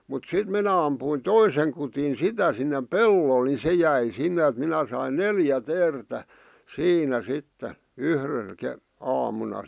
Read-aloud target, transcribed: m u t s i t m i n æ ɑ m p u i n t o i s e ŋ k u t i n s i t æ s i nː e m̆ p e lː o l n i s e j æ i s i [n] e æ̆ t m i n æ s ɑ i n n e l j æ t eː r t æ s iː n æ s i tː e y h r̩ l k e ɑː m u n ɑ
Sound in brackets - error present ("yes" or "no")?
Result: yes